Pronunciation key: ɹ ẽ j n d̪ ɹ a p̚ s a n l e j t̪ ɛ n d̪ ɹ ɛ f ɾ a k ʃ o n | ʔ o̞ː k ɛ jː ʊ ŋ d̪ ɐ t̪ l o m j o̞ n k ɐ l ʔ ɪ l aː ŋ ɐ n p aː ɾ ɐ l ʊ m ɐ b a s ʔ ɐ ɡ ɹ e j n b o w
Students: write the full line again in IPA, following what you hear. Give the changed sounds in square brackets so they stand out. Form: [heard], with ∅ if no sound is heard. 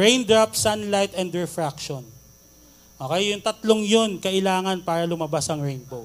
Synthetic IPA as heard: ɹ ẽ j n d̪ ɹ a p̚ s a n l [a] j t̪ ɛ n d̪ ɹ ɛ f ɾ a k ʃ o n | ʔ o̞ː k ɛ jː ʊ ŋ [t̪] ɐ t̪ l o [ŋ] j o̞ n k ɐ [∅] ʔ ɪ l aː ŋ ɐ n p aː ɾ ɐ l ʊ m ɐ b a s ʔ ɐ [ŋ] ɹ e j n b o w